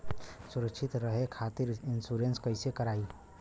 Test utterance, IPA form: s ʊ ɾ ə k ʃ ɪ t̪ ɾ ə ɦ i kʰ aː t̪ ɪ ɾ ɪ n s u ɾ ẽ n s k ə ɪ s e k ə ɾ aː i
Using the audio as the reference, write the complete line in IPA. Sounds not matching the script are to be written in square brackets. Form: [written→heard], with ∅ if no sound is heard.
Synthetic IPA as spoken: s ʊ ɾ ə k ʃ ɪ t̪ ɾ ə ɦ [i→e] kʰ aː t̪ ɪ ɾ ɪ n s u ɾ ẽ n s k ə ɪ s e k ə ɾ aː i